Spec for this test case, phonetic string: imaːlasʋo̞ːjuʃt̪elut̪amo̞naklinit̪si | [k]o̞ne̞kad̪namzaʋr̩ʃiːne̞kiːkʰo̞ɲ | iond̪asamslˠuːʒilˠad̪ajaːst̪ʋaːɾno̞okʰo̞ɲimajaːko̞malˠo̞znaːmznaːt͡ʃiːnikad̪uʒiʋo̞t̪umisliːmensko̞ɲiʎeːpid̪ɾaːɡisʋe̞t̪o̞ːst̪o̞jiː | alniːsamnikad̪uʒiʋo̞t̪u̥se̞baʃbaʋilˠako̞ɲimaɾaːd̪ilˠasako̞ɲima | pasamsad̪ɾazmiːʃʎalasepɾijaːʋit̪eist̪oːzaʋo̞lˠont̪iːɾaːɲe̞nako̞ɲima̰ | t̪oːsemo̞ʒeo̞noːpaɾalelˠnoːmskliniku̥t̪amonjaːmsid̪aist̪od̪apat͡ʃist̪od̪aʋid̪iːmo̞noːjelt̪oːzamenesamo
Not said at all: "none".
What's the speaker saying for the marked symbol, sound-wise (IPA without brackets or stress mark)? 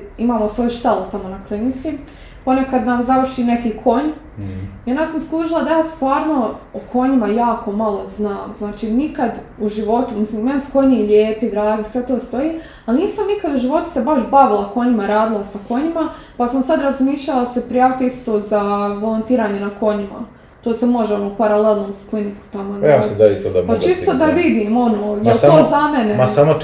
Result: p